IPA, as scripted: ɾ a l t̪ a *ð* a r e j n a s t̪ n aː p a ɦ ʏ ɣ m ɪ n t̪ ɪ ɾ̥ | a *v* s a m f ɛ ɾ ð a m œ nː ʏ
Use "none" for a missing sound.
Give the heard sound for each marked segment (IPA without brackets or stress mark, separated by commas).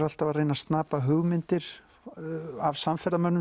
v, v